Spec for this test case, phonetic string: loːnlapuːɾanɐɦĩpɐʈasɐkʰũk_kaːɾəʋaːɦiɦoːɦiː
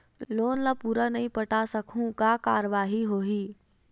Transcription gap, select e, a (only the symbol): a